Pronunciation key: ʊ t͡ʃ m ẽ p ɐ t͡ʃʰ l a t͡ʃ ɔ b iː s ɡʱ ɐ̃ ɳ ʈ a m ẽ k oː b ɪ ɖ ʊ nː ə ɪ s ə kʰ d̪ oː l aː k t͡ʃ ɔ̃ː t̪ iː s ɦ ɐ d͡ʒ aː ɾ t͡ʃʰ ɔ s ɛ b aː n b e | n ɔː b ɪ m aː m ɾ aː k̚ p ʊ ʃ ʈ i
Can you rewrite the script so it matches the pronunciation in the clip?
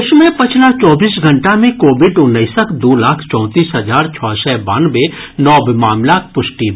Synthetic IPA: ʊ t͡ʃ m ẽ p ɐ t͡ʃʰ l a t͡ʃ ɔː b iː s ɡʱ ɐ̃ ɳ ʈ a m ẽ k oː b ɪ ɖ ʊ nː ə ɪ s ə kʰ d̪ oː l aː kʰ t͡ʃ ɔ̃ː t̪ iː s ɦ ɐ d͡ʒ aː ɾ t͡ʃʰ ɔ s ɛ b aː n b e | n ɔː b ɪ m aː m l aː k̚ p ʊ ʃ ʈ i